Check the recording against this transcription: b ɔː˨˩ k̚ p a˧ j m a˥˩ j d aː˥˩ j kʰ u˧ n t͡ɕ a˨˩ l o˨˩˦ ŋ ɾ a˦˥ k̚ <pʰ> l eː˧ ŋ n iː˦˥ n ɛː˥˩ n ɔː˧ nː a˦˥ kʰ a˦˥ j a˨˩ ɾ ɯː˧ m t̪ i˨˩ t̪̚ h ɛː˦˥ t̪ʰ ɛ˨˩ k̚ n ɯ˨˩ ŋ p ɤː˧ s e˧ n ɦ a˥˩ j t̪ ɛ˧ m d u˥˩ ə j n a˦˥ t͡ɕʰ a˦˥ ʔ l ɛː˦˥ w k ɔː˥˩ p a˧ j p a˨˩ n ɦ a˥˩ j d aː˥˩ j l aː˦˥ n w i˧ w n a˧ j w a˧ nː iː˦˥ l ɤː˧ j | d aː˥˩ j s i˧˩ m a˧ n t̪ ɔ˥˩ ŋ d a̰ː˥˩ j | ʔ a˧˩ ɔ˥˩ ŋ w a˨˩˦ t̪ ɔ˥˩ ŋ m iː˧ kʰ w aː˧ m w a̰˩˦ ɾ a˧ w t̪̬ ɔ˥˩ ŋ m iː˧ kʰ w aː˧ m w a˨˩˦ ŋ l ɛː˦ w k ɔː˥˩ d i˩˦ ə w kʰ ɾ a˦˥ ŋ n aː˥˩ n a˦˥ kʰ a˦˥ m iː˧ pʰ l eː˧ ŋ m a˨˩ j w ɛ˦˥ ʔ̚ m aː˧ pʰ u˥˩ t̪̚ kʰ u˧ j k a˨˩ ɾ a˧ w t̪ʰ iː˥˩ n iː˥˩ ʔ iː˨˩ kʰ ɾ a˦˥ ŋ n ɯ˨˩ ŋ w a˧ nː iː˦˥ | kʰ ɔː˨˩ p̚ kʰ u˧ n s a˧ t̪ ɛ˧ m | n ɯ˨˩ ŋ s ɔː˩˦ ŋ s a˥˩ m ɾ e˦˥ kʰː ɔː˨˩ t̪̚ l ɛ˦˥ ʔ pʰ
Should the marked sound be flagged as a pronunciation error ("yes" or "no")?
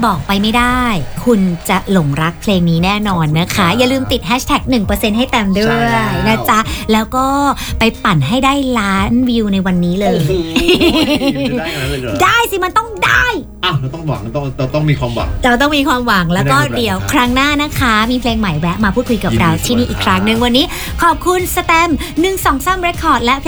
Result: no